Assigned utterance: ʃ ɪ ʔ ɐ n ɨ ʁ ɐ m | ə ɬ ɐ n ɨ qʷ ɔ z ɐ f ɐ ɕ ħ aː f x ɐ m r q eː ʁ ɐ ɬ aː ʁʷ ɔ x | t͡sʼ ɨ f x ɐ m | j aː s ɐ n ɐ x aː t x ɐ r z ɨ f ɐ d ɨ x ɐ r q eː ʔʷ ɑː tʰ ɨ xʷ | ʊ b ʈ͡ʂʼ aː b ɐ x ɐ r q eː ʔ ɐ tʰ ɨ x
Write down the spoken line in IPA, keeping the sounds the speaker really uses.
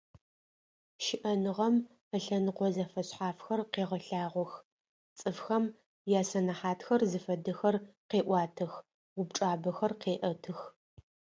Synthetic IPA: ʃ ɪ ʔ ɐ n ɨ ʁ ɐ m | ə ɬ ɐ n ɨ qʷ ɔ z ɐ f ɐ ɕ ħ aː f x ɐ r q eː ʁ ɐ ɬ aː ʁʷ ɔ x | t͡sʼ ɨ f x ɐ m | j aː s ɐ n ɐ ħ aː t x ɐ r z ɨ f ɐ d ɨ x ɐ r q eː ʔʷ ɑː tʰ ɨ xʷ | ʊ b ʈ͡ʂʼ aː b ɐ x ɐ r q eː ʔ ɐ tʰ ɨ x